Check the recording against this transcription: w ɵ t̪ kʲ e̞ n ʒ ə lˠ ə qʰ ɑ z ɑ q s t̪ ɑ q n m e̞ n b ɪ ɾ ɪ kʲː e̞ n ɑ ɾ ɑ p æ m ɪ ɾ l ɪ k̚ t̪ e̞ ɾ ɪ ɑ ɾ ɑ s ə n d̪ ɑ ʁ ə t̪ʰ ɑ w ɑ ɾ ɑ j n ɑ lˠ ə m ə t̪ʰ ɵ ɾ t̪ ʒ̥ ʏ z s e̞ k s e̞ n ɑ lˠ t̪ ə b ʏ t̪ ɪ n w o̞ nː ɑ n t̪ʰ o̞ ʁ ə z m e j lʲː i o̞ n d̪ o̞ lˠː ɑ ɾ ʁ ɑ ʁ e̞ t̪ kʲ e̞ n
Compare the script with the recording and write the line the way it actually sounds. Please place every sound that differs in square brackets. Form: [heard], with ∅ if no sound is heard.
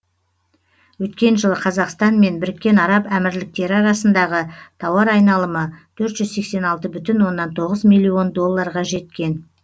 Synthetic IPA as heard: w ɵ t̪ kʲ e̞ n ʒ ə lˠ ə qʰ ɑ z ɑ q s t̪ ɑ [∅] n m e̞ n b ɪ ɾ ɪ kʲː e̞ n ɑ ɾ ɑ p æ m ɪ ɾ l ɪ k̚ t̪ e̞ ɾ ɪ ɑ ɾ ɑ s ə n d̪ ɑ ʁ ə t̪ʰ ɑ w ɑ ɾ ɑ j n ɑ lˠ ə m ə t̪ʰ ɵ ɾ t̪ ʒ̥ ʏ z s e̞ k s e̞ n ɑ lˠ t̪ ə b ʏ t̪ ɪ n w o̞ nː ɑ n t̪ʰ o̞ ʁ ə z m [i] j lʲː i o̞ n d̪ o̞ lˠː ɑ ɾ ʁ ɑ [ʒ] e̞ t̪ kʲ e̞ n

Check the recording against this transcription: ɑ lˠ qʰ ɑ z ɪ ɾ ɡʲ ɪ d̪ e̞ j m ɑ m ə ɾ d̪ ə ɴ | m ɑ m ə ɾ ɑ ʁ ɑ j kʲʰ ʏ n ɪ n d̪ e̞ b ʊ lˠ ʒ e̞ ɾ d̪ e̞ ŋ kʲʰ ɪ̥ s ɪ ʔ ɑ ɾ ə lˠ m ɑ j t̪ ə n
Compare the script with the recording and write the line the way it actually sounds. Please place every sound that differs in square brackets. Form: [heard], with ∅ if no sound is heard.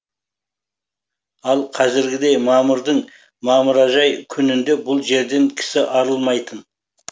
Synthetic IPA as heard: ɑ lˠ qʰ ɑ z ɪ ɾ ɡʲ ɪ d̪ e̞ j m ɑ m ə ɾ d̪ ə ɴ | m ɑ m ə ɾ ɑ [ʒ] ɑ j kʲʰ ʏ n ɪ n d̪ e̞ b ʊ lˠ ʒ e̞ ɾ d̪ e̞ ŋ kʲʰ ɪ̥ s ɪ ʔ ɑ ɾ ə lˠ m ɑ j t̪ ə n

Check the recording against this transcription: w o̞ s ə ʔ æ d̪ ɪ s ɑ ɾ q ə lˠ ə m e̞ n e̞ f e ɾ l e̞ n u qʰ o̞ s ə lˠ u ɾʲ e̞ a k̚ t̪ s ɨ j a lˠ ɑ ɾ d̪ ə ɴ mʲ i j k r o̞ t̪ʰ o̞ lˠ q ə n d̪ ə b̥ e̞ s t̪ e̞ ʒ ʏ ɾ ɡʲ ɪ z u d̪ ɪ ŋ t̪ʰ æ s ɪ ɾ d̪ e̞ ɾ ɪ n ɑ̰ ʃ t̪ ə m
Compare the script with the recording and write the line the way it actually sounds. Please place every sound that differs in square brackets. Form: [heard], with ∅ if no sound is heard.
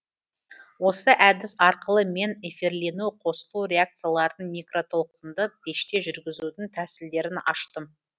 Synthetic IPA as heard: w o̞ s ə ʔ æ d̪ ɪ s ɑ ɾ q ə lˠ ə m e̞ n e̞ f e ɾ l e̞ n u qʰ o̞ s ə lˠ u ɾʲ e̞ a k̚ t̪ s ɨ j a lˠ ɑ ɾ d̪ ə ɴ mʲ i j k r o̞ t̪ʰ o̞ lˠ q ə n d̪ ə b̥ e̞ [ʃ] t̪ e̞ ʒ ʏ ɾ ɡʲ ɪ z u d̪ ɪ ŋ t̪ʰ æ s ɪ [l] d̪ e̞ ɾ ɪ n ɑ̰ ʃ t̪ ə m

